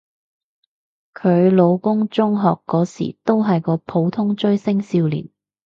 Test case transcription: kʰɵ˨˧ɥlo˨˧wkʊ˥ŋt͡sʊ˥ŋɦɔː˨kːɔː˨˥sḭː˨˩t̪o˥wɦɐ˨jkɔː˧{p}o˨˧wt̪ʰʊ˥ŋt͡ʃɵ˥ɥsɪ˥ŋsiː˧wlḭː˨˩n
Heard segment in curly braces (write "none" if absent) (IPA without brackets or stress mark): pʰ